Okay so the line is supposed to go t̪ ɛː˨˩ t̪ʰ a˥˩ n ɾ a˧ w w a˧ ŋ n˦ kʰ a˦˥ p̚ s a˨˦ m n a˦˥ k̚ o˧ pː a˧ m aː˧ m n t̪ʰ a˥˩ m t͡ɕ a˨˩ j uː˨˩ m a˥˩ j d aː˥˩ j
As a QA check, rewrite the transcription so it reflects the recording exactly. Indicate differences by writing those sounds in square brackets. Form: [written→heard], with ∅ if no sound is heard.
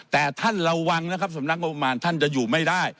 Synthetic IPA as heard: t̪ ɛː˨˩ t̪ʰ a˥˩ n ɾ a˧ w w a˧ ŋ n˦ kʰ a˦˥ p̚ s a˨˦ m n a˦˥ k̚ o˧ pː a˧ m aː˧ [m→∅] n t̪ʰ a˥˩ [m→n] t͡ɕ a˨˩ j uː˨˩ m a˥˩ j d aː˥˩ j